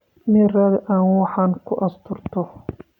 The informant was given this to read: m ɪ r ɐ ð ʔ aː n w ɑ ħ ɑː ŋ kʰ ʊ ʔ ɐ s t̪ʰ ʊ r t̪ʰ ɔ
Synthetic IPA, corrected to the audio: m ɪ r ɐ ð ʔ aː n w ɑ ħ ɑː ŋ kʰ ʊ ʔ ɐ s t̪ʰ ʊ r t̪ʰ ɔ